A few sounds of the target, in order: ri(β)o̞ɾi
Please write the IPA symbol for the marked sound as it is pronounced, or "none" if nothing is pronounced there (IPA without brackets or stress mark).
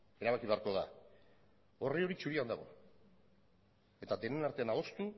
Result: none